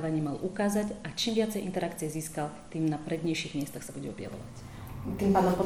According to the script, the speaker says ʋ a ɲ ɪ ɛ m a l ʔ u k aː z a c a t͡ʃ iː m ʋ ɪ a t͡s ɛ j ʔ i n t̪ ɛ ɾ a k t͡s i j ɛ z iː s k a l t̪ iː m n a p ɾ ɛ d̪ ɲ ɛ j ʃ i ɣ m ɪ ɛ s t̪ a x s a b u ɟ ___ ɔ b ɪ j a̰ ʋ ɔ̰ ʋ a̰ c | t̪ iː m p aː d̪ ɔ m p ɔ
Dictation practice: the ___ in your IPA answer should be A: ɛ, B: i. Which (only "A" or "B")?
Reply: A